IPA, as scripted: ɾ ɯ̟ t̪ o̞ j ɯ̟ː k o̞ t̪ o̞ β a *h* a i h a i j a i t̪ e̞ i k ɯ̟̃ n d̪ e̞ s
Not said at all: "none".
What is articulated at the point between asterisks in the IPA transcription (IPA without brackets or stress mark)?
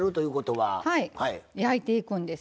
h